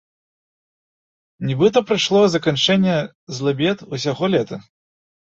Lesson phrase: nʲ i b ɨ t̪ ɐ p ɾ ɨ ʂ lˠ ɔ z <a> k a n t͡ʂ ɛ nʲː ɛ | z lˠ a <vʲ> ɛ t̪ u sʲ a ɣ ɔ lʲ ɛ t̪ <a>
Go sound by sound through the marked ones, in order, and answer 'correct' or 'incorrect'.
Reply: incorrect, incorrect, incorrect

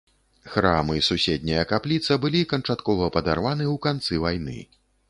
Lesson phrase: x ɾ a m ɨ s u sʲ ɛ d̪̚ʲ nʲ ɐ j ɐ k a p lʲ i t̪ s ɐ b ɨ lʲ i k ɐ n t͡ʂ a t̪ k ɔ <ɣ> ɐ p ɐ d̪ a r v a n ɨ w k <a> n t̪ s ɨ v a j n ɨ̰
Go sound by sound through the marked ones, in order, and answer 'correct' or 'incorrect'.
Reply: incorrect, correct

